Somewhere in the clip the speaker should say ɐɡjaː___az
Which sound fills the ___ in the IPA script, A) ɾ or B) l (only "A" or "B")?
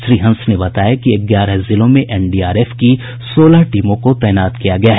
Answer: A